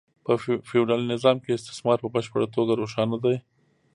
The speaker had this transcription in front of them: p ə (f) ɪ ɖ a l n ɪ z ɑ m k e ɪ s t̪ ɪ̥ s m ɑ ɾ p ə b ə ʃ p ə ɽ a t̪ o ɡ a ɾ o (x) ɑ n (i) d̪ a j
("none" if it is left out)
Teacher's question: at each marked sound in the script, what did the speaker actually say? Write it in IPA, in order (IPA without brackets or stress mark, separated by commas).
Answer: f, ʃ, a